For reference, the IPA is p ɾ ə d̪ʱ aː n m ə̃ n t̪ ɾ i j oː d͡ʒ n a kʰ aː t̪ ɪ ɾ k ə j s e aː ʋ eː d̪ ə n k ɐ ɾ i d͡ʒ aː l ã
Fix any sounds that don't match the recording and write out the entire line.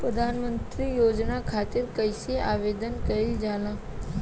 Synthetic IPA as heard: p ɾ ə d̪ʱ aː n m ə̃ n t̪ ɾ i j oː d͡ʒ n a kʰ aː t̪ ɪ ɾ k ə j s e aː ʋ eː d̪ ə n k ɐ ɾ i d͡ʒ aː l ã